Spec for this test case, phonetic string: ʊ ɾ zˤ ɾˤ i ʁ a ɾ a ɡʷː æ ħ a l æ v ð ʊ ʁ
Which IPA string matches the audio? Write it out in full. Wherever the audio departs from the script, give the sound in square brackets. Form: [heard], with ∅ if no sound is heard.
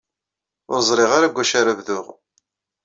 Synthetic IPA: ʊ ɾ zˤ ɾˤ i ʁ a ɾ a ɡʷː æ [ʃ] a [ɾ] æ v ð ʊ ʁ